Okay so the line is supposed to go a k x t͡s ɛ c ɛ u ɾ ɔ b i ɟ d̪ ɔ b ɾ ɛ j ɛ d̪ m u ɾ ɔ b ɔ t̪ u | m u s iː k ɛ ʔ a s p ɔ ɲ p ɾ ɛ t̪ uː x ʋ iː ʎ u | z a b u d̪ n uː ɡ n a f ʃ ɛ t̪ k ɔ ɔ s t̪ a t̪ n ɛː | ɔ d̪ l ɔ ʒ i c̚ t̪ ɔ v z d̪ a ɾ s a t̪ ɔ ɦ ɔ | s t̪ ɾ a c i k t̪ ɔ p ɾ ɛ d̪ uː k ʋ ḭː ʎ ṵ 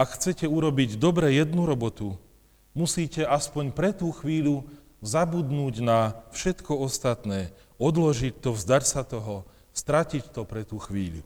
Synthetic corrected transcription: a k x t͡s ɛ c ɛ u ɾ ɔ b i ɟ d̪ ɔ b ɾ ɛ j ɛ d̪ n u ɾ ɔ b ɔ t̪ u | m u s iː c ɛ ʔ a s p ɔ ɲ p ɾ ɛ t̪ uː x ʋ iː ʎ u | z a b u d̪ n uː ɟ n a f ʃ ɛ t̪ k ɔ ɔ s t̪ a t̪ n ɛː | ɔ d̪ l ɔ ʒ i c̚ t̪ ɔ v z d̪ a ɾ s a t̪ ɔ ɦ ɔ | s t̪ ɾ a c i c t̪ ɔ p ɾ ɛ t̪ uː x ʋ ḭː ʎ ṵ